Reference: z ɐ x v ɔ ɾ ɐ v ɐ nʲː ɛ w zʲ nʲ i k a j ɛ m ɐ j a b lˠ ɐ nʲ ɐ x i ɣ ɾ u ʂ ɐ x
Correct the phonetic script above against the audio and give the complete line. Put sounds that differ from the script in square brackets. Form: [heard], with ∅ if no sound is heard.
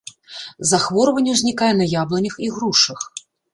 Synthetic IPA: z [a] x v ɔ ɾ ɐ v ɐ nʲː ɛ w zʲ nʲ i k a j ɛ [n] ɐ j a b lˠ ɐ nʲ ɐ x i ɣ ɾ u ʂ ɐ x